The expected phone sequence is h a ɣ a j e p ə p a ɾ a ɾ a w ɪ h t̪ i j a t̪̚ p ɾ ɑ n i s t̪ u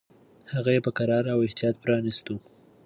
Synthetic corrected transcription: h a ɣ a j e p ə k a ɾ ɑ ɾ a w ɪ h t̪ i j ɑ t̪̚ p ɾ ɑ n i s t̪ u